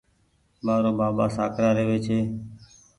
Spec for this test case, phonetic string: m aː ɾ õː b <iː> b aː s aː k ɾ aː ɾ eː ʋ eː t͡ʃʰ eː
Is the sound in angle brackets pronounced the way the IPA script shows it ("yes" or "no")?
no